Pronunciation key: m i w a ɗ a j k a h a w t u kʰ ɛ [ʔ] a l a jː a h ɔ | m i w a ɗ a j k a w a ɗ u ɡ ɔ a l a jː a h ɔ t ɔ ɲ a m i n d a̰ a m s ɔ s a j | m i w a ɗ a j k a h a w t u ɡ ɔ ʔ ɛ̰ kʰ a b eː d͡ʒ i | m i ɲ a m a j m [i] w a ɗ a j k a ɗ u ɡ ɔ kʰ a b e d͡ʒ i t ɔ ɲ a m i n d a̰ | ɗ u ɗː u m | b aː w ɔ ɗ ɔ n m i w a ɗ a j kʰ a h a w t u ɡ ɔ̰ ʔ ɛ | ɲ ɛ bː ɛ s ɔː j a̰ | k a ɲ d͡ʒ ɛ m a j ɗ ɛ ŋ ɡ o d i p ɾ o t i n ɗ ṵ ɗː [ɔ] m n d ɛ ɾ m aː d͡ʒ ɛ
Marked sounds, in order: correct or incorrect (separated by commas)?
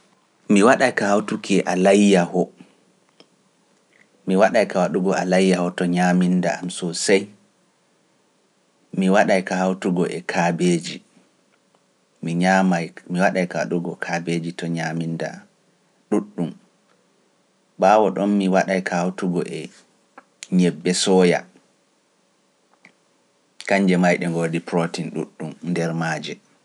correct, correct, incorrect